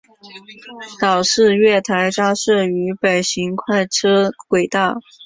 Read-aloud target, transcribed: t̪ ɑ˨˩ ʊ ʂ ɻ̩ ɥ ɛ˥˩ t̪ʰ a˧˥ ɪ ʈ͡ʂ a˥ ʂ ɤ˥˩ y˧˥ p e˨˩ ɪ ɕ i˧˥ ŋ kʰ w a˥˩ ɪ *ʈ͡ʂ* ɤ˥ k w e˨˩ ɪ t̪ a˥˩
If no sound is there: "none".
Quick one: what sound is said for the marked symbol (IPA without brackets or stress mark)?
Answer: ʈ͡ʂʰ